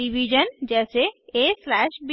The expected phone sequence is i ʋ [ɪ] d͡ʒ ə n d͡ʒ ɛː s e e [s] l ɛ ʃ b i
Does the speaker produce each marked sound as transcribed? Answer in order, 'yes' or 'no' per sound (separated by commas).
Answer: no, yes